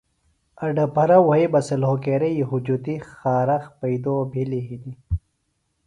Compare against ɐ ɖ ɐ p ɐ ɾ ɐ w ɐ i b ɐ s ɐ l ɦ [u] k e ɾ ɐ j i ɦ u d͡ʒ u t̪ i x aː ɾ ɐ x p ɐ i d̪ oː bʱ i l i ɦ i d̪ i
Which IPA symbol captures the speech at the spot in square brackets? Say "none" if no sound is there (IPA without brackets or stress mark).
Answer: o